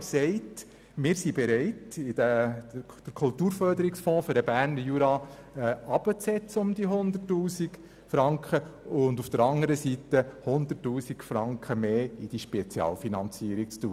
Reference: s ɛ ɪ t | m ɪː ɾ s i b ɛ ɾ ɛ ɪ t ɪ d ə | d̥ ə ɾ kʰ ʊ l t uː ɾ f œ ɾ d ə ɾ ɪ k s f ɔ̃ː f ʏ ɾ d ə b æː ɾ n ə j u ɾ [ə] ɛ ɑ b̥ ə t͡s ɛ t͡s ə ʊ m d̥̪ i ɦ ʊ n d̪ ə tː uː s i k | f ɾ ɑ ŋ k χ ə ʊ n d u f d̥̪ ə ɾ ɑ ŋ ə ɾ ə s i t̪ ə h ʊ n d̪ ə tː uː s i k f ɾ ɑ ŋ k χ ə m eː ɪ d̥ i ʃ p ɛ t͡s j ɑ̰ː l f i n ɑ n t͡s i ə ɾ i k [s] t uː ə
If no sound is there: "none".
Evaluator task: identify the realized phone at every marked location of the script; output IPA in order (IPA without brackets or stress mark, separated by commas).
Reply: ɑ, t͡s